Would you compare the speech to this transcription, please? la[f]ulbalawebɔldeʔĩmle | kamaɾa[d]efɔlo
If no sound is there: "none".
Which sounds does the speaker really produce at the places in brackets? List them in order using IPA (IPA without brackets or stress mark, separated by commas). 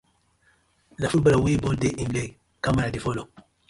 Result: f, d